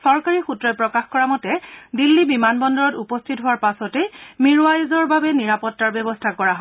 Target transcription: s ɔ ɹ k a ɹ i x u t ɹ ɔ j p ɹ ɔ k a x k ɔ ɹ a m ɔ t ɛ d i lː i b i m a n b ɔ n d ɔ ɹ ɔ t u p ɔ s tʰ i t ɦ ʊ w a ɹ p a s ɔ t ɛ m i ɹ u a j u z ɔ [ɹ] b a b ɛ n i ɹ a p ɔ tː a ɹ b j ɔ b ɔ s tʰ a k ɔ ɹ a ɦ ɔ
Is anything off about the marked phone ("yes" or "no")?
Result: no